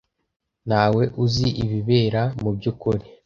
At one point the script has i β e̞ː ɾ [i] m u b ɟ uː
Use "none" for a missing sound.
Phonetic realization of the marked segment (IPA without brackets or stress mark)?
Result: a